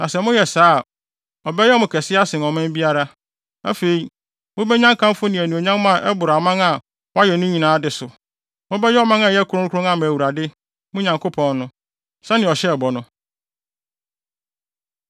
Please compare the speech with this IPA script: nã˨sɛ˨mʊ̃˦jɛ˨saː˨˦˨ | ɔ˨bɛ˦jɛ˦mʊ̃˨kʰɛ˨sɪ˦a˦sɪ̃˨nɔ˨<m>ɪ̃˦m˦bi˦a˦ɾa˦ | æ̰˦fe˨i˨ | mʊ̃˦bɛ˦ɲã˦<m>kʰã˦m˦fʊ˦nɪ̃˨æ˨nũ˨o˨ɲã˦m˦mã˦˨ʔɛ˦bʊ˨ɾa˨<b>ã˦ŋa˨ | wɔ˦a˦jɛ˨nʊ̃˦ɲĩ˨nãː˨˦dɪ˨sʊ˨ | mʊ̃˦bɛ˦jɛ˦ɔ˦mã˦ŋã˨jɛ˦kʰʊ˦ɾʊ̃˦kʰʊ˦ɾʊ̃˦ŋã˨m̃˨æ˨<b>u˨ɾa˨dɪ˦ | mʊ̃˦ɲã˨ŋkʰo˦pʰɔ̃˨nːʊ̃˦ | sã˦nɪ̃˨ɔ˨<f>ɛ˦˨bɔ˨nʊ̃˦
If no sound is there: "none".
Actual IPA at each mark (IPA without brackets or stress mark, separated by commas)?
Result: m, ŋ, m, w, ɕ